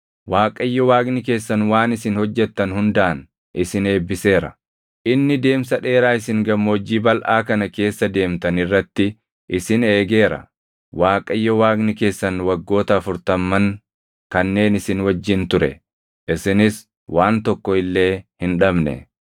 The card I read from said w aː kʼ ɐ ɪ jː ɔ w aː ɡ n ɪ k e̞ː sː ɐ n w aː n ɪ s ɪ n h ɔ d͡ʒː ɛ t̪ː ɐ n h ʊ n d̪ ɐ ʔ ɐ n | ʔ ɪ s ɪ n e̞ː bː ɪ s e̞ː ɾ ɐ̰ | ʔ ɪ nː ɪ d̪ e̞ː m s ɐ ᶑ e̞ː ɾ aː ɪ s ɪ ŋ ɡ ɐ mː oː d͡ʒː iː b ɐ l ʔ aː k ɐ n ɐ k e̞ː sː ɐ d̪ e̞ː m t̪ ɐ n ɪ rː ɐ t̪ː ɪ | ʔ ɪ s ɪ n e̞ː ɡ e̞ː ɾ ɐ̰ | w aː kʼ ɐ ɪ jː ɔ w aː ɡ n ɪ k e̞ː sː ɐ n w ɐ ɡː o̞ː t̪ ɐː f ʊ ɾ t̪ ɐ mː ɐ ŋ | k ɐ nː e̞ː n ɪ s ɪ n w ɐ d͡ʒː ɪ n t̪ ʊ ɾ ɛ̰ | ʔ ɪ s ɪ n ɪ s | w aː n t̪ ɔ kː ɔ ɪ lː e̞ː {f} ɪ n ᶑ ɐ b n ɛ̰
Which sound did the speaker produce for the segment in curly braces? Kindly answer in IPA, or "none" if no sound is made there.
h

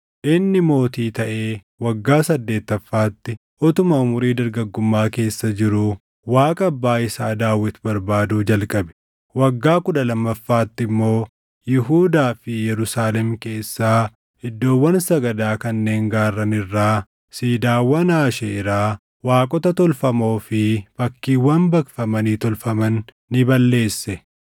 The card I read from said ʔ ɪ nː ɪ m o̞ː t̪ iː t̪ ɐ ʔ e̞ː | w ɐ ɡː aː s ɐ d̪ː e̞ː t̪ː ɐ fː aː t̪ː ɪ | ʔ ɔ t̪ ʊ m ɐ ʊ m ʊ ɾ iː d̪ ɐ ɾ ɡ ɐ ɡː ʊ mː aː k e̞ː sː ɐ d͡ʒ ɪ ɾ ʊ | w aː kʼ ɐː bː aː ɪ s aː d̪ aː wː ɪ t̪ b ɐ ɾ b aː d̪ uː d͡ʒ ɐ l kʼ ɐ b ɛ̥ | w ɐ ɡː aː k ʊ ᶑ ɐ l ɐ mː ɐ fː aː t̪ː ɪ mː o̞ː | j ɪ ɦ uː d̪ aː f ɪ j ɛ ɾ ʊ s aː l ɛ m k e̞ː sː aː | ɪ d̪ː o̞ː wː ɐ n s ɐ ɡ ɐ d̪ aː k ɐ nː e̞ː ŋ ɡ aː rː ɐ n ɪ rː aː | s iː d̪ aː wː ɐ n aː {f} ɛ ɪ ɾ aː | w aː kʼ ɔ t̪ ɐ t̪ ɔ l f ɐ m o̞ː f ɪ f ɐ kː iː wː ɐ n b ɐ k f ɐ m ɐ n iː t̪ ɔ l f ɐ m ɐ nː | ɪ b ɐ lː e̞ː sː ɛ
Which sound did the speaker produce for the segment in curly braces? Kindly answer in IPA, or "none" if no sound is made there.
ʃ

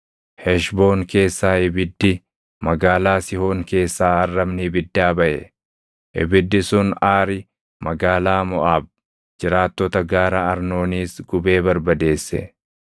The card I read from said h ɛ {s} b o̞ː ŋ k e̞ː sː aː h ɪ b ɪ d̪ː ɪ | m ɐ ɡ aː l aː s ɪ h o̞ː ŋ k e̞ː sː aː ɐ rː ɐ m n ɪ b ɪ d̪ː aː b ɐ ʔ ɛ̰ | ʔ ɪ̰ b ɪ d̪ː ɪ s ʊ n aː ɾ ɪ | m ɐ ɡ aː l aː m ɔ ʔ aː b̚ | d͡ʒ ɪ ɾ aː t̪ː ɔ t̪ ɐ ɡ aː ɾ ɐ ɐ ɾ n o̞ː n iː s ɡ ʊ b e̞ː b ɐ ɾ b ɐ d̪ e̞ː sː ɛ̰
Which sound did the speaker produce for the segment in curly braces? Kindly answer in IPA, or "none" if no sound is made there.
ʃ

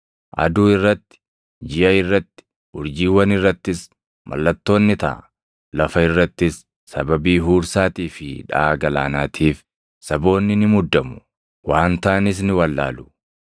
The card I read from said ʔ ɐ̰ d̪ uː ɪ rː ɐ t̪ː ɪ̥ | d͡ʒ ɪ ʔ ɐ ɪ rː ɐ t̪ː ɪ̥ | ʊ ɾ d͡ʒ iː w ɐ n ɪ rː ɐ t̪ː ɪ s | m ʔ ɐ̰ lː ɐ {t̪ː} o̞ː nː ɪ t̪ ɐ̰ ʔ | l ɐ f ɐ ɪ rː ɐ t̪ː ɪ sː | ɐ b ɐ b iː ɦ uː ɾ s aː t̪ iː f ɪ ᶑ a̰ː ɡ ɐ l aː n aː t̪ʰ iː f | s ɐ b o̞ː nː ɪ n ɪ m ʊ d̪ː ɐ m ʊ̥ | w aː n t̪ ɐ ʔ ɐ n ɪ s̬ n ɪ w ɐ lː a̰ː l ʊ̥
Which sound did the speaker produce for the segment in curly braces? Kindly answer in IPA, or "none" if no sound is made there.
t̪ː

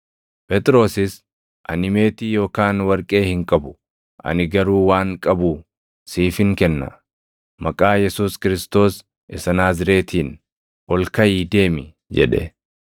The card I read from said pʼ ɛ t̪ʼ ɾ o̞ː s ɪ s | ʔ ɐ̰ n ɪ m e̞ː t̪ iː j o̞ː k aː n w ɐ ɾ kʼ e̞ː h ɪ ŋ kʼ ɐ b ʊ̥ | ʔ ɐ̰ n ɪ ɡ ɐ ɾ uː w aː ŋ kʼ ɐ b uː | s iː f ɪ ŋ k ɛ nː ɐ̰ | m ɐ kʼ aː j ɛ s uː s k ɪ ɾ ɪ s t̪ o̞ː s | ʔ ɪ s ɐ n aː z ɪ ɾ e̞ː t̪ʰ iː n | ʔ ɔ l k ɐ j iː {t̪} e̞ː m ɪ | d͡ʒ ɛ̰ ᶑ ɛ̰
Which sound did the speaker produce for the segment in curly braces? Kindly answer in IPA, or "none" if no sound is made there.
d̪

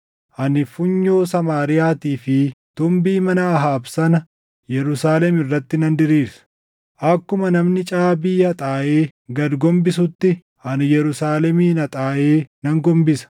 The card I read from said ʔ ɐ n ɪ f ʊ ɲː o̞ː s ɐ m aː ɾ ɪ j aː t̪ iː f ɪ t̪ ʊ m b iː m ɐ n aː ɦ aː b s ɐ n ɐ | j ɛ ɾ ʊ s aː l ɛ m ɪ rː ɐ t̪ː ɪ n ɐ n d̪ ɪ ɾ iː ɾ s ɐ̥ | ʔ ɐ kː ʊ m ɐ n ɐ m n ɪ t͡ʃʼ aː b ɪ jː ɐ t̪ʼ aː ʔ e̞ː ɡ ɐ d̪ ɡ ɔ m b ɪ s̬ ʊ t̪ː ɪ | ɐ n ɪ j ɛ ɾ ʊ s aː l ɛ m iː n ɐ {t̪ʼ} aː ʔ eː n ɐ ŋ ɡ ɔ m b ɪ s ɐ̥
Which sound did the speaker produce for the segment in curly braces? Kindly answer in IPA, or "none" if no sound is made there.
t̪ʼ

